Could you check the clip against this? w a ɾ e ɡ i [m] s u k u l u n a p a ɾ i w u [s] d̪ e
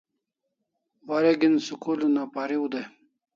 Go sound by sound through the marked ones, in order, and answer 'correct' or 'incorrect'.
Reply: incorrect: n, incorrect: none

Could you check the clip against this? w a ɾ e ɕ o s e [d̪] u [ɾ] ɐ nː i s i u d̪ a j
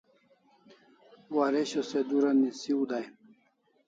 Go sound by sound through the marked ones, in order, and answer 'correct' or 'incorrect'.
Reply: correct, correct

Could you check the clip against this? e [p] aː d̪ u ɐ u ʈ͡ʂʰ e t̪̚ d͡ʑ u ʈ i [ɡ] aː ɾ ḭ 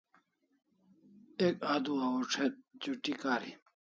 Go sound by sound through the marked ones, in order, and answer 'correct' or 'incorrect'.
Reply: incorrect: k, incorrect: k

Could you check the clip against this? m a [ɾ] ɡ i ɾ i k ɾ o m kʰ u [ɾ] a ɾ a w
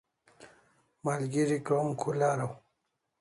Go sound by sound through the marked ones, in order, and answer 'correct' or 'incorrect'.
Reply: incorrect: l, incorrect: l

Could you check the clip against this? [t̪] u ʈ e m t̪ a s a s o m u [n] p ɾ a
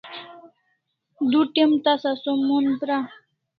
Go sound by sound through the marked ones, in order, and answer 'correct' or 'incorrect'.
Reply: incorrect: d̪, correct

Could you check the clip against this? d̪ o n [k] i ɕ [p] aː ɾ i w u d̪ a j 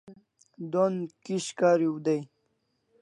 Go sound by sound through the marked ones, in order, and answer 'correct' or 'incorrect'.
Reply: correct, incorrect: k

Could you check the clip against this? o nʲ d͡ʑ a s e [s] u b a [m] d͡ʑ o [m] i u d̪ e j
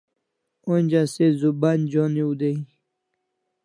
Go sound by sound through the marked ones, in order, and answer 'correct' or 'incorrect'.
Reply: incorrect: z, incorrect: n, incorrect: n

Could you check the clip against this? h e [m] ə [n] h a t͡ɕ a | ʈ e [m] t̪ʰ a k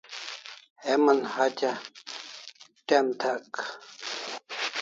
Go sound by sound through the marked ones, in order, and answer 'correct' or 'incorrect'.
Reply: correct, correct, correct

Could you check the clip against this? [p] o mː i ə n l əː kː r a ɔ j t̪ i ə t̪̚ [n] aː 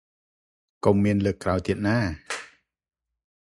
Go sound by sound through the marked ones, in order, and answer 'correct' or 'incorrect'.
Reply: incorrect: k, correct

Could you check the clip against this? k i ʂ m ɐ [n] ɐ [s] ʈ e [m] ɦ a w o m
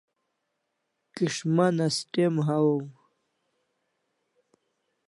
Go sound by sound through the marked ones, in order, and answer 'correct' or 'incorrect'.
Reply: correct, correct, correct

